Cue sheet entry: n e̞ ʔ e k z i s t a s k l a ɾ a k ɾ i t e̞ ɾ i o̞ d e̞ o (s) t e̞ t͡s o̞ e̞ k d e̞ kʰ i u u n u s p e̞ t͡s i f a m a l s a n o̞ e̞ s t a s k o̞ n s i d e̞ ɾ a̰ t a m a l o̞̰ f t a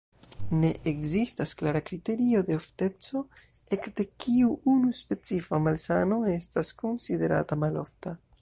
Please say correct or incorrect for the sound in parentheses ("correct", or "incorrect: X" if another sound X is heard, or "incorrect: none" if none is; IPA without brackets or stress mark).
incorrect: f